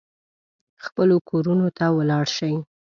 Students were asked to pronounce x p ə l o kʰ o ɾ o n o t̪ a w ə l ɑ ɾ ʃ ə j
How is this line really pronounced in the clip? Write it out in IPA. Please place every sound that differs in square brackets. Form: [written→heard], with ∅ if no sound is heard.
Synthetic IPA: x p ə l o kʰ o ɾ [o→u] n o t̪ a w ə l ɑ [ɾ→ɽ] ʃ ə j